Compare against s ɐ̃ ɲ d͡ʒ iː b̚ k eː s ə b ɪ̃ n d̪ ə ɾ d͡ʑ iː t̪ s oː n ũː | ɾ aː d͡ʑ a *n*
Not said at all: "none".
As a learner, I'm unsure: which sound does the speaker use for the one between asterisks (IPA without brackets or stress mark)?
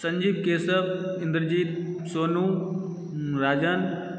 n